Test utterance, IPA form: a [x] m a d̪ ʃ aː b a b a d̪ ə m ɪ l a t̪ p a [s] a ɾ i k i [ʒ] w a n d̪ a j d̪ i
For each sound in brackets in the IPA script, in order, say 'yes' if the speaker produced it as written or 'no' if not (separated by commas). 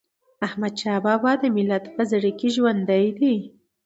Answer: no, no, yes